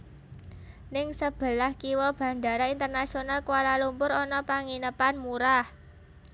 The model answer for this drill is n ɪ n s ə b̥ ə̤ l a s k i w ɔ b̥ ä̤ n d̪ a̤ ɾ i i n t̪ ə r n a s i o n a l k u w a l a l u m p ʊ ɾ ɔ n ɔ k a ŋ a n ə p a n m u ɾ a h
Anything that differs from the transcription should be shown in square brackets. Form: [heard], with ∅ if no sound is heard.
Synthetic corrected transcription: n ɪ [ŋ] s ə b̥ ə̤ l a [h] k i w ɔ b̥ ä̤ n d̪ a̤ ɾ [a] i n t̪ ə r n a s i o n a l k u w a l a l u m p ʊ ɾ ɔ n ɔ [p] a ŋ [i] n ə p a n m u ɾ a h